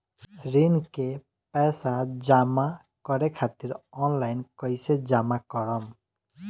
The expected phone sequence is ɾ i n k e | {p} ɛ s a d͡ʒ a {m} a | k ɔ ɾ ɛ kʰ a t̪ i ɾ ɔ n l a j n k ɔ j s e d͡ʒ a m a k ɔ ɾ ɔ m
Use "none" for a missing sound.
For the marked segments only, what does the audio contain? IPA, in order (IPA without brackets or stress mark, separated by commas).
p, m